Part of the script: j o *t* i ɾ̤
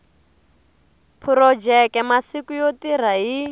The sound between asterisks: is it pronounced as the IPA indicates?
yes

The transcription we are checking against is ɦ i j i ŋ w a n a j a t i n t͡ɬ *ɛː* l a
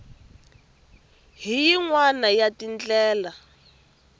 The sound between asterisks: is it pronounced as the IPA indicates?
yes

